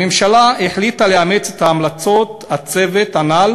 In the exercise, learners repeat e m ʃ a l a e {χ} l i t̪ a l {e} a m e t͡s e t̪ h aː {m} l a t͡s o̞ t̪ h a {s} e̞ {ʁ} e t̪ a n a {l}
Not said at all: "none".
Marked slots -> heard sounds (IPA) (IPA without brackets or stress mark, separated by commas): ħ, e, m, t͡s, v, l